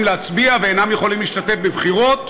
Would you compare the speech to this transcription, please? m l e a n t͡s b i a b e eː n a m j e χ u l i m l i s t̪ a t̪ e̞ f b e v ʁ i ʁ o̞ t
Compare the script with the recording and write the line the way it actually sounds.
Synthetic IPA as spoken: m l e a t͡s b i a v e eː n a m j e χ o l i m l i ʃ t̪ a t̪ e̞ f b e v χ i ʁ o̞ t